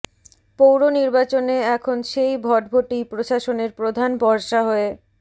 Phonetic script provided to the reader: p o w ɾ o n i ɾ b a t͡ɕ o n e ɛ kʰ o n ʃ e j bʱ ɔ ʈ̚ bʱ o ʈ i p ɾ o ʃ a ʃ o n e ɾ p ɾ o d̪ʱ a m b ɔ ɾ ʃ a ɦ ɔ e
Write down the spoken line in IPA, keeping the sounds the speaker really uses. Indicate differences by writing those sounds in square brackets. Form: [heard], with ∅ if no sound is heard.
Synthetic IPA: p o w ɾ o n i ɾ b a t͡ɕ o n e ɛ kʰ o n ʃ e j bʱ ɔ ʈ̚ bʱ o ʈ i p ɾ o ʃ a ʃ o n e ɾ p ɾ o d̪ʱ a [n] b ɔ ɾ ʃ a ɦ ɔ e

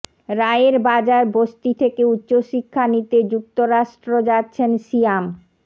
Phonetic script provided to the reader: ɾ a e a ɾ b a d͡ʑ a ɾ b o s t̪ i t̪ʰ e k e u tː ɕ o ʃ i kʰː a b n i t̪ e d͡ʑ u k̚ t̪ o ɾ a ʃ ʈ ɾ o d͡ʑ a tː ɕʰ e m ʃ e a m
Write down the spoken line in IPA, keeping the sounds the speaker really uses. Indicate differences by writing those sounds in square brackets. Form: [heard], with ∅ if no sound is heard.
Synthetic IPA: ɾ a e [e] ɾ b a d͡ʑ a ɾ b o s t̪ i t̪ʰ e k e u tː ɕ o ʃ i kʰː a [∅] n i t̪ e d͡ʑ u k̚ t̪ o ɾ a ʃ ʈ ɾ o d͡ʑ a tː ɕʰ e [n] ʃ [i] a m

